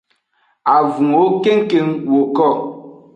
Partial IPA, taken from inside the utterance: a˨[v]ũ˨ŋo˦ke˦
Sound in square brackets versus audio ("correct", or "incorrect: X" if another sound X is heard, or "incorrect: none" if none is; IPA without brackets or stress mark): correct